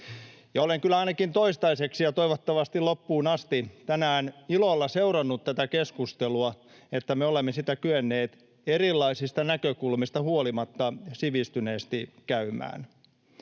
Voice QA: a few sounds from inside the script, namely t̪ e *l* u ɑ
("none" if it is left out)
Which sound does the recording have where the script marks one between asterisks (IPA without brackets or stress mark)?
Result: l